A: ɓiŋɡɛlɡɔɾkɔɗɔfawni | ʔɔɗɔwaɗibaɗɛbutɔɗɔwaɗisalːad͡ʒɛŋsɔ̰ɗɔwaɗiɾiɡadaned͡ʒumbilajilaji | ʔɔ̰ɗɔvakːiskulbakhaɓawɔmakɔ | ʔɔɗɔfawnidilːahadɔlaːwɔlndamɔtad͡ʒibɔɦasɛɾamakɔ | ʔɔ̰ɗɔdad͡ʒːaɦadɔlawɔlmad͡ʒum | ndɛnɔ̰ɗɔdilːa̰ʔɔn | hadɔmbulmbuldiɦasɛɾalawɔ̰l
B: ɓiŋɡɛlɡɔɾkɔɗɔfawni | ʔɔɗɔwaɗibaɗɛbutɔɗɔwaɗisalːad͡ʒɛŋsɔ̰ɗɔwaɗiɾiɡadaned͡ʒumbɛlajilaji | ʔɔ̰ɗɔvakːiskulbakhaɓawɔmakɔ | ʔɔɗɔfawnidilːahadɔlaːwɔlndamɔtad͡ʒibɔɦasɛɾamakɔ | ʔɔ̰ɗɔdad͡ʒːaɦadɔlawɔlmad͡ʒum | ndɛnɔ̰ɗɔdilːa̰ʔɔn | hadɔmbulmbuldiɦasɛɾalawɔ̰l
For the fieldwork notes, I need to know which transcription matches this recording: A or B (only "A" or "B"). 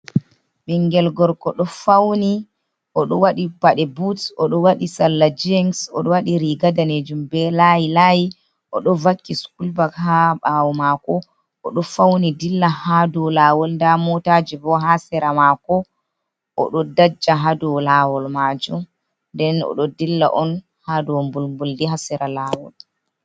B